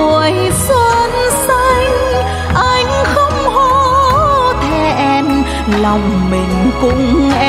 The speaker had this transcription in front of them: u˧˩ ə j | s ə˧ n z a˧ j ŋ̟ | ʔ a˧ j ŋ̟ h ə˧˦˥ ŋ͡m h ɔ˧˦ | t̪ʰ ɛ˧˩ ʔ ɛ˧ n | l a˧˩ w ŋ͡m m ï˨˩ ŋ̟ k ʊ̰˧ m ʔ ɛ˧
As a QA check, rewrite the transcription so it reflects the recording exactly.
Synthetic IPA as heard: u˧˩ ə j | s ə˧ n s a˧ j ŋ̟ | ʔ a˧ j ŋ̟ x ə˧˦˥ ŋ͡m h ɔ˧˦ | t̪ʰ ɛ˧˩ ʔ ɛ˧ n | l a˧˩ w ŋ͡m m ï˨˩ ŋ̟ k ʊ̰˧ ŋ͡m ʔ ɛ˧